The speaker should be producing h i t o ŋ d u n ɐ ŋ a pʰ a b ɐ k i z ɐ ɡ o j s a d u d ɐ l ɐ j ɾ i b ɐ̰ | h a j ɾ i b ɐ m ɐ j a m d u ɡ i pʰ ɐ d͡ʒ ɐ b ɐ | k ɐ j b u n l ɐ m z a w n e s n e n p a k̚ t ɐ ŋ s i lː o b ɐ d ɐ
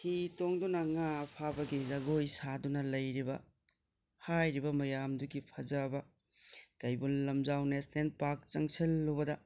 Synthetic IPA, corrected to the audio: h i t o ŋ d u n ɐ ŋ a pʰ a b ɐ ɡ i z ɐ ɡ o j s a d u n ɐ l ɐ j ɾ i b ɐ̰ | h a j ɾ i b ɐ m ɐ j a m d u ɡ i pʰ ɐ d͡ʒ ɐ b ɐ | k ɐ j b u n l ɐ m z a w n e s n e n p a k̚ t͡ʃ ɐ ŋ s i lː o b ɐ d ɐ